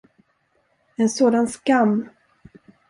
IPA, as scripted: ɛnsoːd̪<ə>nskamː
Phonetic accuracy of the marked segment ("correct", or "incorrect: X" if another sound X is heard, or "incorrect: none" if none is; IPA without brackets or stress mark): incorrect: a